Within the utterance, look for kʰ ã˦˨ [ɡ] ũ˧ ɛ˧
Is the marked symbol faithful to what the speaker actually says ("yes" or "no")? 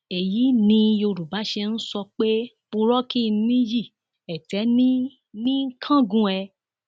yes